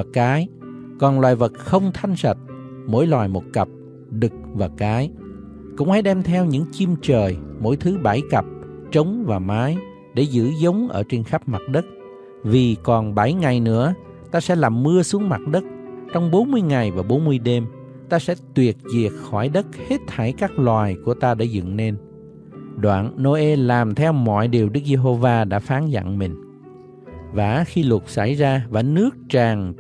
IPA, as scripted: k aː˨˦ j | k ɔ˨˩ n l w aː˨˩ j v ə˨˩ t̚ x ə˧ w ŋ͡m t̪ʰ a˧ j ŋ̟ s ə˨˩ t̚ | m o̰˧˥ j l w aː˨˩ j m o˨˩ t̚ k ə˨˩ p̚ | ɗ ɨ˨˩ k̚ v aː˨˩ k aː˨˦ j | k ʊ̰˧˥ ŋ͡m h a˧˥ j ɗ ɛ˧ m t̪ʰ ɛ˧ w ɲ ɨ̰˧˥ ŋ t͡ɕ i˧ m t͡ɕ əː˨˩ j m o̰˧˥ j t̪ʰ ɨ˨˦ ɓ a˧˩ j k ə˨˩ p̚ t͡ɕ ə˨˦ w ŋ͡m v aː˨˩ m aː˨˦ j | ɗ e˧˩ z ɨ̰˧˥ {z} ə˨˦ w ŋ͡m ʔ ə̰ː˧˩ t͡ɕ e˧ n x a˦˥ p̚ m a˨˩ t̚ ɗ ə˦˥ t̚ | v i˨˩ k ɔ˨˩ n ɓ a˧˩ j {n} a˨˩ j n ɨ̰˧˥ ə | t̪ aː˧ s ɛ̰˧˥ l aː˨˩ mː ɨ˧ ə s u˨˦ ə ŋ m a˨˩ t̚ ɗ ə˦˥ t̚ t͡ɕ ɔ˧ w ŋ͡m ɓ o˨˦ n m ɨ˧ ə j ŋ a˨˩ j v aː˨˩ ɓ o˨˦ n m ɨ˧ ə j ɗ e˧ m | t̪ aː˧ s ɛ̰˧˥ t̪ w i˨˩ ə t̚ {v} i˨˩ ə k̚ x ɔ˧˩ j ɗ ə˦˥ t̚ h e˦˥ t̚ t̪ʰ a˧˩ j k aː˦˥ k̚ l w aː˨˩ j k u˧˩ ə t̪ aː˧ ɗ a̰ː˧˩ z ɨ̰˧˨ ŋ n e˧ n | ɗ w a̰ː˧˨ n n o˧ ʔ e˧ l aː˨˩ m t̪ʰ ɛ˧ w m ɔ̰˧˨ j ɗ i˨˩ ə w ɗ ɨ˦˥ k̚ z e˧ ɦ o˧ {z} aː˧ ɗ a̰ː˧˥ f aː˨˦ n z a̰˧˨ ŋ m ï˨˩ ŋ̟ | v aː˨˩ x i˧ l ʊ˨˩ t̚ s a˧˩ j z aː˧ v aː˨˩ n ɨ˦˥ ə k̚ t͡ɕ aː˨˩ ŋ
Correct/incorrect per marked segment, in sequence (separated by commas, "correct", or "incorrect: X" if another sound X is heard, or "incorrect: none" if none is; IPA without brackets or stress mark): correct, incorrect: ŋ, incorrect: z, incorrect: v